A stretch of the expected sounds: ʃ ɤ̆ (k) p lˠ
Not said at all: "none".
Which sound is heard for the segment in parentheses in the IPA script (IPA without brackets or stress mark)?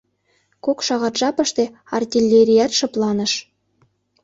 none